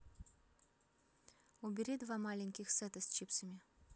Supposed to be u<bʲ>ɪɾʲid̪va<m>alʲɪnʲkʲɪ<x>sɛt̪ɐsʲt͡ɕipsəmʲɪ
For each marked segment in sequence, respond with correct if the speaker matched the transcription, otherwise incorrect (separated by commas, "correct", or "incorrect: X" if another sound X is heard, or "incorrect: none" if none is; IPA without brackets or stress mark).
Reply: correct, correct, correct